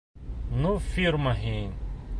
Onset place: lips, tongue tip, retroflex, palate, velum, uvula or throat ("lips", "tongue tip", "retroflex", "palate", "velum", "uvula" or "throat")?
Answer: tongue tip